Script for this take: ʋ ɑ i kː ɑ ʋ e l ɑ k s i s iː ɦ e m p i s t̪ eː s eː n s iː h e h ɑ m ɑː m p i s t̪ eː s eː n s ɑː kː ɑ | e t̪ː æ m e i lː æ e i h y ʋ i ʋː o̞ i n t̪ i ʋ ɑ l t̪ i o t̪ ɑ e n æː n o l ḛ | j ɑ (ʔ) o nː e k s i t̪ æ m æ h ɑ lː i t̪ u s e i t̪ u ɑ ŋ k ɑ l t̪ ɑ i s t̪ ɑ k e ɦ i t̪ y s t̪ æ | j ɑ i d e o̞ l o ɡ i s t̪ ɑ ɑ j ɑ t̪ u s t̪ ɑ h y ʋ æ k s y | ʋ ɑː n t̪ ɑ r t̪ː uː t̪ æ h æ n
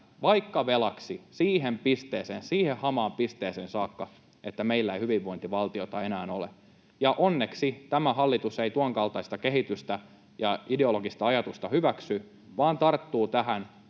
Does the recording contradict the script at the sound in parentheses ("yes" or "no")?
no